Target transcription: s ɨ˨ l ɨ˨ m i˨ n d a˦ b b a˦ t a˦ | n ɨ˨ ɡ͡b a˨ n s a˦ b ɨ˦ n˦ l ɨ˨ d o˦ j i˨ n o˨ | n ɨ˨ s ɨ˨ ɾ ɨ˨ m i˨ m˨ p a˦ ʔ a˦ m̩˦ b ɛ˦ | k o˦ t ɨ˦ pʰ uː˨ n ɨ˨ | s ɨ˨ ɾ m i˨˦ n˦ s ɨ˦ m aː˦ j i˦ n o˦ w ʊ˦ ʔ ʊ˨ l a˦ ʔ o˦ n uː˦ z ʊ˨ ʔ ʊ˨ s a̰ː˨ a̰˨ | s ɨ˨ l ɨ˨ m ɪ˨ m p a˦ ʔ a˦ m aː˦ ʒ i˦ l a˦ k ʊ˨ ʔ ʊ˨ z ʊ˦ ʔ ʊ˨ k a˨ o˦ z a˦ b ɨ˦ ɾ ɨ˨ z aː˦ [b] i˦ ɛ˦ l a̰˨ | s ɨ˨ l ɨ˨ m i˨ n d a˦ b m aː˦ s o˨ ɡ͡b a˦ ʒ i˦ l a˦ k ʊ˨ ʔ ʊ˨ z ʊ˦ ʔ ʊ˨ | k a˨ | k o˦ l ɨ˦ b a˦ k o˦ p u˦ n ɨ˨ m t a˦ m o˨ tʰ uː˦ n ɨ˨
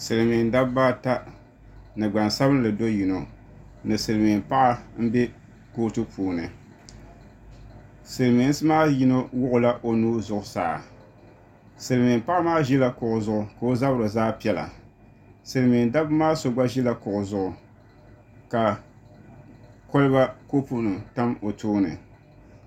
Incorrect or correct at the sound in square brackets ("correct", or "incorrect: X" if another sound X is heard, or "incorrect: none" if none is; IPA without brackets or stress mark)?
incorrect: p